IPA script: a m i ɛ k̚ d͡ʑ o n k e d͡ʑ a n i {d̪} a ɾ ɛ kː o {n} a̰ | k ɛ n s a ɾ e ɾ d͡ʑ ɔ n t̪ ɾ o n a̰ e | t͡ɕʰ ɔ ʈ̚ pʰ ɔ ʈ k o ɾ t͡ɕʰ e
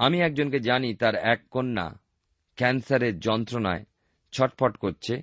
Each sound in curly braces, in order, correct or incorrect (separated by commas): incorrect, incorrect